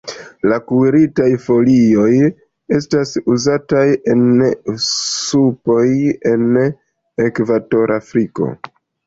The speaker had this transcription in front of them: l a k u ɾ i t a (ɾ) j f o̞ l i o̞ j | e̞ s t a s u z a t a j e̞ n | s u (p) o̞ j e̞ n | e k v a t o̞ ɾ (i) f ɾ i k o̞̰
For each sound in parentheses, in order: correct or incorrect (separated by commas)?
incorrect, correct, incorrect